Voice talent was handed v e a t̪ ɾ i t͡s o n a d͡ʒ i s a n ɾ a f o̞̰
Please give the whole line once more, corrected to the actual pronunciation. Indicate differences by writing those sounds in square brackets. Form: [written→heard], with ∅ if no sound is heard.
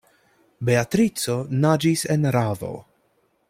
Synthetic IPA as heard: [v→b] e a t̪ ɾ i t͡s o n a d͡ʒ i s [a→e] n ɾ a [f→v] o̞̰